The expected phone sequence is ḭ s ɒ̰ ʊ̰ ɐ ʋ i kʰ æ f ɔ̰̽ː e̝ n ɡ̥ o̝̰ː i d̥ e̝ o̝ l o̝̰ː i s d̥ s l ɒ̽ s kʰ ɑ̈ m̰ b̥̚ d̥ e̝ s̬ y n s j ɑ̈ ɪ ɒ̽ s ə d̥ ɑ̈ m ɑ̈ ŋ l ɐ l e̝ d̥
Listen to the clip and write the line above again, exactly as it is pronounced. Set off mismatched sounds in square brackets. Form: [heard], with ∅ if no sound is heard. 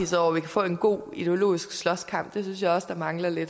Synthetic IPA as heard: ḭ s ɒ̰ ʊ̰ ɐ ʋ i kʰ æ f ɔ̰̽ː e̝ n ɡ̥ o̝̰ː i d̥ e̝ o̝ l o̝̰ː i s [ɡ̥] s l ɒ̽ s kʰ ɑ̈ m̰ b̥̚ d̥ e̝ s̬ y n s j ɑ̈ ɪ ɒ̽ s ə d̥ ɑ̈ m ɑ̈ ŋ l ɐ l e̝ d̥